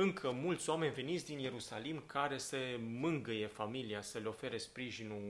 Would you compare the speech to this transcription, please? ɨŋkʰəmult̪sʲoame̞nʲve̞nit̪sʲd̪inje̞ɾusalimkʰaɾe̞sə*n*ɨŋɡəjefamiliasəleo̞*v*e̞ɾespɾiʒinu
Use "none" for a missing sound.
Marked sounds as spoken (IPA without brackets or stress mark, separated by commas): m, f